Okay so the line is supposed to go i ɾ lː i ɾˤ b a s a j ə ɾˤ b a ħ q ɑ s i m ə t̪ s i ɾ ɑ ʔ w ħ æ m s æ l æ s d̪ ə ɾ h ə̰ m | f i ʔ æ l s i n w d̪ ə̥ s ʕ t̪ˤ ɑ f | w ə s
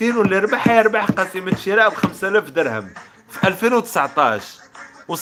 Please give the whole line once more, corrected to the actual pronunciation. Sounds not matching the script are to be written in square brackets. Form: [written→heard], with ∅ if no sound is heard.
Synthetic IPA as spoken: i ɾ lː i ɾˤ b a [s→ħ] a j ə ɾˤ b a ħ q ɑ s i m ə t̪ [s→ʃ] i ɾ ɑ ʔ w [ħ→x] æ m s æ l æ [s→f] d̪ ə ɾ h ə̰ m | f i ʔ æ l [s→f] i n w [d̪→t̪] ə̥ s ʕ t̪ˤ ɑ [f→ʃ] | w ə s